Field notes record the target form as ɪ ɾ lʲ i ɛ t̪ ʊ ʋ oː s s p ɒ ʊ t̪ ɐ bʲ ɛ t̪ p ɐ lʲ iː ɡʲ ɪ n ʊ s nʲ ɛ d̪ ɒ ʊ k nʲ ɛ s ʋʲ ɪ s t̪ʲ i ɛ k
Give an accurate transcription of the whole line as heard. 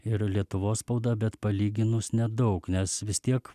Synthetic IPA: ɪ ɾ lʲ i ɛ t̪ ʊ ʋ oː s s p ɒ ʊ d̪ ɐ bʲ ɛ t̪ p ɐ lʲ iː ɡʲ ɪ n ʊ s nʲ ɛ d̪ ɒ ʊ k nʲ ɛ s ʋʲ ɪ s t̪ʲ i ɛ k